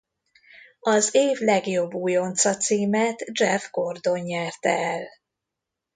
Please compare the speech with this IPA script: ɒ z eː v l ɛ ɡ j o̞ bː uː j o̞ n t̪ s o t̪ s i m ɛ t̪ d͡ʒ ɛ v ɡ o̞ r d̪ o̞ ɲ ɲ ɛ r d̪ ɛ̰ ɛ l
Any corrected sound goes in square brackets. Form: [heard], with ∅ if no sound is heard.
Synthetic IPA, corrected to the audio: ɒ z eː v l ɛ ɡ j o̞ bː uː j o̞ n t̪ s [ɒ] t̪ s [iː] m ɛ t̪ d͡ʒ ɛ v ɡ o̞ r d̪ o̞ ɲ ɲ ɛ r [t̪] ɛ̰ ɛ l